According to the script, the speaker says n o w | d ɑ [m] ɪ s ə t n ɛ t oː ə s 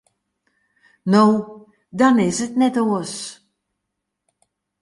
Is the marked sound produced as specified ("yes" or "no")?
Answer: no